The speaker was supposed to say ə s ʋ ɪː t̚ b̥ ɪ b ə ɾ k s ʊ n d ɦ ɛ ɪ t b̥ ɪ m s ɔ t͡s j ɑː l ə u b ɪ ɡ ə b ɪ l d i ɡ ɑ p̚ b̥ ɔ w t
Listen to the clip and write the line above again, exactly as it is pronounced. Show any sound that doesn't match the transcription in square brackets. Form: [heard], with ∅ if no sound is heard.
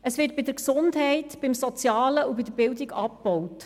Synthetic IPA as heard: ə s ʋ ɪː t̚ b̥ ɪ [d] ə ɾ k s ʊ n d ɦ ɛ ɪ t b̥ ɪ m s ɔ t͡s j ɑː l ə u b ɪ [d] ə b ɪ l d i ɡ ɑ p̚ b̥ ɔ w t